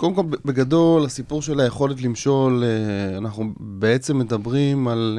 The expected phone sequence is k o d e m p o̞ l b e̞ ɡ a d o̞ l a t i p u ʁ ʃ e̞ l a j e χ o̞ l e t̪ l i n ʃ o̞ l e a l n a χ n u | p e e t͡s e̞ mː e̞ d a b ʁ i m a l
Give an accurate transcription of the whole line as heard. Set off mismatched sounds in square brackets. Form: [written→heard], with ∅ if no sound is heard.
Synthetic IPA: k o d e m [p→k] o̞ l b e̞ ɡ a d o̞ l a [t→s] i p u ʁ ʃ e̞ l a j e χ o̞ l e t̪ l i [n→m] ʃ o̞ l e a [l→∅] n a χ n u | [p→b] e e t͡s e̞ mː e̞ d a b ʁ i m a l